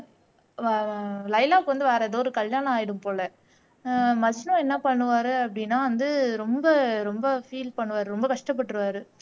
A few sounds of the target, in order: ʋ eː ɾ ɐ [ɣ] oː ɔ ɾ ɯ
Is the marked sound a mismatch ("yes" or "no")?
yes